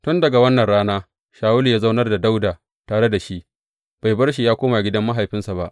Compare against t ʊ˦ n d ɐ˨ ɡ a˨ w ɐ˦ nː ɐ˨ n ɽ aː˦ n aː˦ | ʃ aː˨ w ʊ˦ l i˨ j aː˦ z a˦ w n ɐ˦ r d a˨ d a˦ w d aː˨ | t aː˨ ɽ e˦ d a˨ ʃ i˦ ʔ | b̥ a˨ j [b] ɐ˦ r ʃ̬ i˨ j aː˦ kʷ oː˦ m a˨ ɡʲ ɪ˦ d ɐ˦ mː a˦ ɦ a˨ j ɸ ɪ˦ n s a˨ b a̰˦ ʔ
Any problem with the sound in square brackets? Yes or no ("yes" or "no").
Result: no